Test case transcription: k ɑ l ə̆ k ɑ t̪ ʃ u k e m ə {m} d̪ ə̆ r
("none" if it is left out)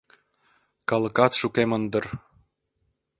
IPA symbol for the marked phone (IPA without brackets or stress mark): n